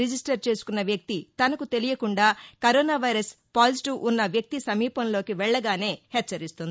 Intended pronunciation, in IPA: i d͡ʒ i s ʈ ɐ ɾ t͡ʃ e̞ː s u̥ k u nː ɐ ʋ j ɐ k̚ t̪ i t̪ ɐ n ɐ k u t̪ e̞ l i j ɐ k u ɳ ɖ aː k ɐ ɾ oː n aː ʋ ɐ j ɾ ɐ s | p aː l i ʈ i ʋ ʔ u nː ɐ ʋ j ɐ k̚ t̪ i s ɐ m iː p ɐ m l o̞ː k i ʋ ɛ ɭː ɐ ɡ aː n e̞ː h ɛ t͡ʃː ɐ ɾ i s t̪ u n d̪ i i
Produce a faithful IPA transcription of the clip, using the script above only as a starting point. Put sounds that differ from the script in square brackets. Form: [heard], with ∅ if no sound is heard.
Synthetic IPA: i d͡ʒ i s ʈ ɐ ɾ t͡ʃ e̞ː s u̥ k u nː ɐ ʋ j ɐ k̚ t̪ i t̪ ɐ n ɐ k u t̪ e̞ l i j ɐ k u ɳ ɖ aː k ɐ ɾ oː n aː ʋ ɐ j ɾ ɐ s | p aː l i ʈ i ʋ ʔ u nː ɐ ʋ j ɐ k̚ t̪ i s ɐ m iː p ɐ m l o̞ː k i ʋ ɛ ɭː ɐ ɡ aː n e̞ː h ɛ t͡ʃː ɐ ɾ i s t̪ u n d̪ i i